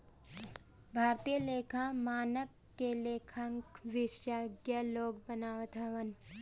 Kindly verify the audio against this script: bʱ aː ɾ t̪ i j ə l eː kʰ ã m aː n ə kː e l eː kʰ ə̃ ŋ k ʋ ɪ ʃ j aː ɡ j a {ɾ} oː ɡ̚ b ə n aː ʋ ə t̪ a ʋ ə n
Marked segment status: incorrect: l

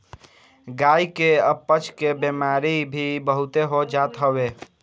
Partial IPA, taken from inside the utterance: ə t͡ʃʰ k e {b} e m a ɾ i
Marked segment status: correct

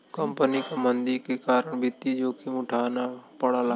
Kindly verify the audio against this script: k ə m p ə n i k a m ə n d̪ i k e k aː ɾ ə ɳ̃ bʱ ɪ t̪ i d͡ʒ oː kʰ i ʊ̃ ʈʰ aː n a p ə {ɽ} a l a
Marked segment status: correct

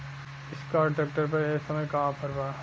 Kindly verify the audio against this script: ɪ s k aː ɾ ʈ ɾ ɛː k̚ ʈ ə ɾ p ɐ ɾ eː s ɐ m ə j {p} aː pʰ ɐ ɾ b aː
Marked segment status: incorrect: k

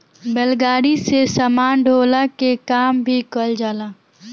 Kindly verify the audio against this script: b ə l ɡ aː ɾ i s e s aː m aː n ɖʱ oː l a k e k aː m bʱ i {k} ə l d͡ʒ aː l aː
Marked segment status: correct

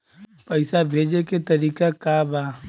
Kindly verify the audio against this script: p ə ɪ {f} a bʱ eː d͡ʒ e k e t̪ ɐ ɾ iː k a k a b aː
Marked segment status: incorrect: s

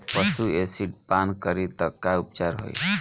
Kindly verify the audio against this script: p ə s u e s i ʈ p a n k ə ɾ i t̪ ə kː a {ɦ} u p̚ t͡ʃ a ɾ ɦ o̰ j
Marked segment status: incorrect: none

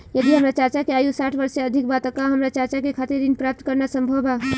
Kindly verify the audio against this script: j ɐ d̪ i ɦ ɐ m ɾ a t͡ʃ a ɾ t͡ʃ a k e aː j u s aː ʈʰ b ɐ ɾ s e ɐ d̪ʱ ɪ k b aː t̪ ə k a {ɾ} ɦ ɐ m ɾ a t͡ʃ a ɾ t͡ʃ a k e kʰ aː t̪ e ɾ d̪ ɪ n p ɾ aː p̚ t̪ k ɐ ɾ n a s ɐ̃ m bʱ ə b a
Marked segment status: incorrect: none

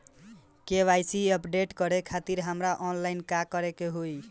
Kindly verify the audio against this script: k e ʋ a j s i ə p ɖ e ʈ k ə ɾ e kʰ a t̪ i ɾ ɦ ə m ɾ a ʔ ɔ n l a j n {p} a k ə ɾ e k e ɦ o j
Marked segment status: incorrect: k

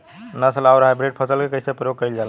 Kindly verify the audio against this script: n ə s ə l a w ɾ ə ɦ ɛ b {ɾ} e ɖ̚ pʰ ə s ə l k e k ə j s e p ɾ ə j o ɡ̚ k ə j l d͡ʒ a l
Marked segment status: correct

